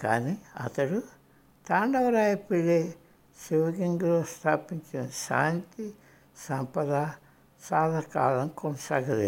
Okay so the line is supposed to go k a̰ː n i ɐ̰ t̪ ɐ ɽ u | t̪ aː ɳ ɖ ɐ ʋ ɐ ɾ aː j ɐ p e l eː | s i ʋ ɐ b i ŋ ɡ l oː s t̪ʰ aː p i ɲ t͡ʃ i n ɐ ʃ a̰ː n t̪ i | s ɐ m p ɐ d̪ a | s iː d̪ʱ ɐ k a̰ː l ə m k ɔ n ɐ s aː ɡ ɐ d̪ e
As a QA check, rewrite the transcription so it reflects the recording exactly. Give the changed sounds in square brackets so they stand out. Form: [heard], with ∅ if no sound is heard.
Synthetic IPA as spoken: k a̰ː n i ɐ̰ t̪ ɐ ɽ u | t̪ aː ɳ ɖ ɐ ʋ ɐ ɾ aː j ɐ p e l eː | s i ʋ ɐ [ɡ] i ŋ ɡ l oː s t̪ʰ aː p i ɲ t͡ʃ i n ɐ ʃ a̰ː n t̪ i | s ɐ m p ɐ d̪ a | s [aː] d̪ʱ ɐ k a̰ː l [ɐ] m k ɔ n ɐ s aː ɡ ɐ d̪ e